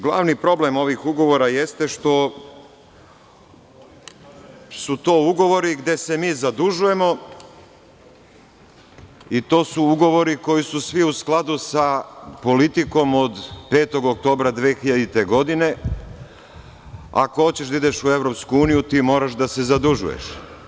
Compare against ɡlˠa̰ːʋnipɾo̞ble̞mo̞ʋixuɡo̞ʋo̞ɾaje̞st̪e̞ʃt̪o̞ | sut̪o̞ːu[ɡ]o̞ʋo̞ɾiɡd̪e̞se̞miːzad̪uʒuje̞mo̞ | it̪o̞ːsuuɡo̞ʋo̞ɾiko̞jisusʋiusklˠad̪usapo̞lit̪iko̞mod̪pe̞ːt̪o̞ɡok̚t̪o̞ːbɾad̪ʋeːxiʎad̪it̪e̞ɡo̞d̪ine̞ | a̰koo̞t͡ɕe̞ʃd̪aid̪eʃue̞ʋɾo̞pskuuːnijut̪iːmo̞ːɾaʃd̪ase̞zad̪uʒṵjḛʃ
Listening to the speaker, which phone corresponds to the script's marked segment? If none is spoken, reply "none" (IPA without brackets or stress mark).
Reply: ɡ